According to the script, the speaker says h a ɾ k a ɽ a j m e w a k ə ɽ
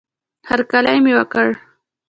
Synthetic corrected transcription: h a ɾ k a l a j m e w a k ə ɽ